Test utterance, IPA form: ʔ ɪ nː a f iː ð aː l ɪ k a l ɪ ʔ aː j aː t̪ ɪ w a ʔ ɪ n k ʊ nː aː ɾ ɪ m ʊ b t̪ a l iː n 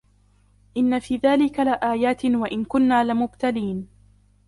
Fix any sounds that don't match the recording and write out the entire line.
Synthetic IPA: ʔ ɪ nː a f iː ð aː l ɪ k a l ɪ ʔ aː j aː t̪ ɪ w a ʔ ɪ n k ʊ nː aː l ɪ m ʊ b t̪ a l iː n